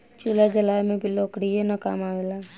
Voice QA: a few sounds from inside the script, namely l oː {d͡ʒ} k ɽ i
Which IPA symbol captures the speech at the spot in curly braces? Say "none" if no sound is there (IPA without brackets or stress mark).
none